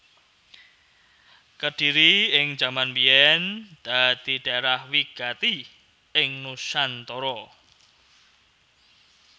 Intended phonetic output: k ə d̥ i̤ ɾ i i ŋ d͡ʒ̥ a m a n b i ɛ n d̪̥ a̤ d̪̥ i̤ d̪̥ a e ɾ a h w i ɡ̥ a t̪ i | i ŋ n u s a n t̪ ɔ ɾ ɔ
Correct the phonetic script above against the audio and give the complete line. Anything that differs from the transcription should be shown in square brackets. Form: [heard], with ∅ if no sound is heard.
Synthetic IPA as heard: k ə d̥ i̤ ɾ i [ɪ] ŋ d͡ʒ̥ a m a n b i ɛ n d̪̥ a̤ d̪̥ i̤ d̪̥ a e ɾ a h w i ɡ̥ a t̪ i | [ɪ] ŋ n u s a n t̪ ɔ ɾ ɔ